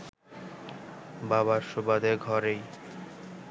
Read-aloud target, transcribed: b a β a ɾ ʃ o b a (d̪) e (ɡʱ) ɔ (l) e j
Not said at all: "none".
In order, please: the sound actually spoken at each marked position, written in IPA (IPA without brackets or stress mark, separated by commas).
d̪, ɡʱ, ɾ